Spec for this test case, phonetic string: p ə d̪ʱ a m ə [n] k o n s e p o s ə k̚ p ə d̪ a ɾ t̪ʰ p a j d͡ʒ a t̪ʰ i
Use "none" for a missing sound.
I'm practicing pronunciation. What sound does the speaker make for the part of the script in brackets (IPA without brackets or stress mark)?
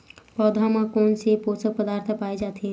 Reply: none